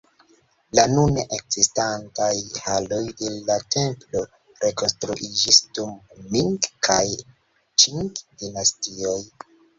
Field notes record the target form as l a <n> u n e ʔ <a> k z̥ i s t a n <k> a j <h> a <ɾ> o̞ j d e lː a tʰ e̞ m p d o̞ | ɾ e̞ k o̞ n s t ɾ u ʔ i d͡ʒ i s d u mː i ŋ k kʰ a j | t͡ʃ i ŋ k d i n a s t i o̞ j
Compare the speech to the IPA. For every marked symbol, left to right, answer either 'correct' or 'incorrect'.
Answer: correct, incorrect, incorrect, correct, incorrect

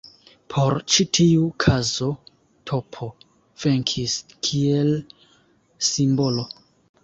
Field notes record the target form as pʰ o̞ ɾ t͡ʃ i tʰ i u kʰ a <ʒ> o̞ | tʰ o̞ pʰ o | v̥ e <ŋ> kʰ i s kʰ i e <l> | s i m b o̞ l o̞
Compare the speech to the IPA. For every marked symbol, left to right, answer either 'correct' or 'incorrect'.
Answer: incorrect, correct, correct

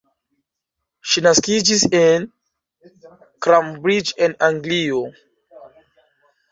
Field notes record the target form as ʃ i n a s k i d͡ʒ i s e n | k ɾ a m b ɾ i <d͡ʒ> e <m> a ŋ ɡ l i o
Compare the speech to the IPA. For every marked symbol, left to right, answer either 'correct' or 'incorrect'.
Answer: correct, incorrect

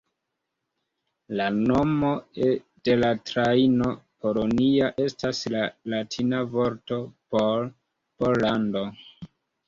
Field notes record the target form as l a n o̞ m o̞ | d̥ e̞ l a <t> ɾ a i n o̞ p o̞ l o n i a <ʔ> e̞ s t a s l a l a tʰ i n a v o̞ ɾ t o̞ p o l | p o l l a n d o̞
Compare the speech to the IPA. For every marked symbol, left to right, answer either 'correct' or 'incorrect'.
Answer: correct, correct

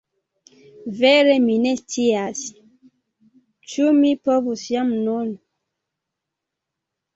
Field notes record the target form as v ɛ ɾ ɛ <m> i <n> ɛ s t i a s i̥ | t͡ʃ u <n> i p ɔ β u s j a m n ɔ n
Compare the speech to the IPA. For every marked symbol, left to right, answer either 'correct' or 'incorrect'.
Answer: correct, correct, incorrect

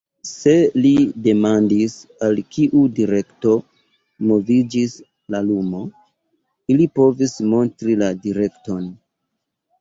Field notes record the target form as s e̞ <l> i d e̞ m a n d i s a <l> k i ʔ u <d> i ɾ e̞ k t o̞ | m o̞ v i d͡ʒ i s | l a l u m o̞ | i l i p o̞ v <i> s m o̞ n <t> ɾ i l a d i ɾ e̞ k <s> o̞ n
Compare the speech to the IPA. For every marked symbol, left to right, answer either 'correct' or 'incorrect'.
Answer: correct, correct, correct, correct, correct, incorrect

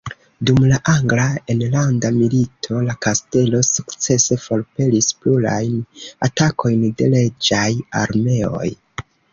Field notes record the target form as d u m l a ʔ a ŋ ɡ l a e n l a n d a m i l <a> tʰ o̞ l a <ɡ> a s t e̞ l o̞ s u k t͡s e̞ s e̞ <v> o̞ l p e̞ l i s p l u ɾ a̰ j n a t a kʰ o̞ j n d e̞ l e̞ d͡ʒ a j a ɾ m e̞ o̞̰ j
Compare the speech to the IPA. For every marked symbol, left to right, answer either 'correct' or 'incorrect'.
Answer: incorrect, incorrect, incorrect

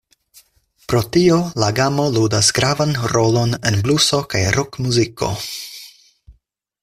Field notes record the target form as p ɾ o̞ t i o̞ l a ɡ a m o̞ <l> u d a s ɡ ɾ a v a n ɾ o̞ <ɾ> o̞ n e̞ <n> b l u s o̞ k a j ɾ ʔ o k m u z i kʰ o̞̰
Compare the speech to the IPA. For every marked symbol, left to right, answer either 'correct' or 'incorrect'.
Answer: correct, incorrect, correct

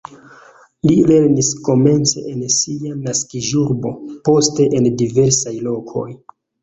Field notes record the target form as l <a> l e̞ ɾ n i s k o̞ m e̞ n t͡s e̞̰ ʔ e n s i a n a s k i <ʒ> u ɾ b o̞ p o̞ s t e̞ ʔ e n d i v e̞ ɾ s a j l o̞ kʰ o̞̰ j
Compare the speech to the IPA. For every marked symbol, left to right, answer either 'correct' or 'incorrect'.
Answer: incorrect, correct

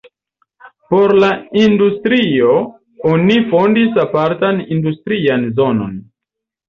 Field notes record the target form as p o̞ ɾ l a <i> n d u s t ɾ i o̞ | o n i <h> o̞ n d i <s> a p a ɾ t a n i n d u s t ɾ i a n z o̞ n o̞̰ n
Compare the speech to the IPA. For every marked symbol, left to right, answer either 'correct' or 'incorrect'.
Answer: correct, incorrect, correct

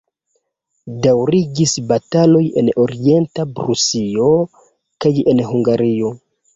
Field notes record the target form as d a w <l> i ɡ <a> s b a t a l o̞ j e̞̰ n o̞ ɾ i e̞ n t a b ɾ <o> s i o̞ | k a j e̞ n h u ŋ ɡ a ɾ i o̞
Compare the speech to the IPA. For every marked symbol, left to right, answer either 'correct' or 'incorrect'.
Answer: incorrect, incorrect, incorrect

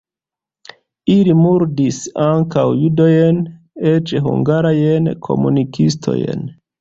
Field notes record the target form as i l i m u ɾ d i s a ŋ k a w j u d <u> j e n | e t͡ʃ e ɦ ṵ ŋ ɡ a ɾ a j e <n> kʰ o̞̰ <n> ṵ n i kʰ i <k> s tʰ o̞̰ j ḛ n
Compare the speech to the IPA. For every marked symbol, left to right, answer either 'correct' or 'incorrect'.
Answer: incorrect, correct, incorrect, incorrect

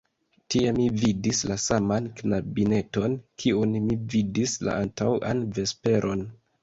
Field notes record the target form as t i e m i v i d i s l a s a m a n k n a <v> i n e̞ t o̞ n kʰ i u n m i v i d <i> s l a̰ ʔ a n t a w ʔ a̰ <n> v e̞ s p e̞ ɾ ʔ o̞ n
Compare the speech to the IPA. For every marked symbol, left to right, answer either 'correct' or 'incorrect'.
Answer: incorrect, correct, correct

